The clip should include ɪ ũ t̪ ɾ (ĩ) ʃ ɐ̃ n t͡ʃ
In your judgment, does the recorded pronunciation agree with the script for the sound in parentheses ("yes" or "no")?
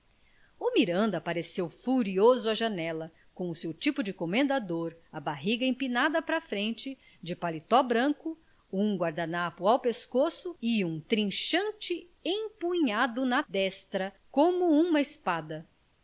yes